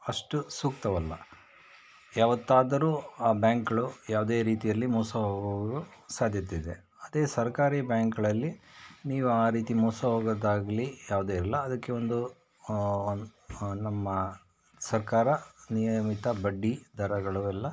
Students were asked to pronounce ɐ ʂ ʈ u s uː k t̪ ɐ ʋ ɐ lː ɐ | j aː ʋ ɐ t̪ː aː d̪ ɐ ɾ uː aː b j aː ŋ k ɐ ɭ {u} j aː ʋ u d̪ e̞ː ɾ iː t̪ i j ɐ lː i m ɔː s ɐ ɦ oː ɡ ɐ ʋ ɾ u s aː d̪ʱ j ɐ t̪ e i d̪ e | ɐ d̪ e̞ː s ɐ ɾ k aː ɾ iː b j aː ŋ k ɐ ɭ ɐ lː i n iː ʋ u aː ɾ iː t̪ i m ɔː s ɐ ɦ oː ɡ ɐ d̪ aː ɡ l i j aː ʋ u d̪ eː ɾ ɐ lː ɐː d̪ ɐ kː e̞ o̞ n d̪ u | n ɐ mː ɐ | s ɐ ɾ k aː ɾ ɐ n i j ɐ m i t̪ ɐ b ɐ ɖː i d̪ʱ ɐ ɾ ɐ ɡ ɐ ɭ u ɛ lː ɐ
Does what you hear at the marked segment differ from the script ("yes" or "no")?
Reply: no